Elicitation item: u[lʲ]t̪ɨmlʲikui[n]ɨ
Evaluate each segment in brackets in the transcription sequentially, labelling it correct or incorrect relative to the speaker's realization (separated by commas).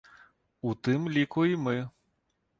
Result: incorrect, incorrect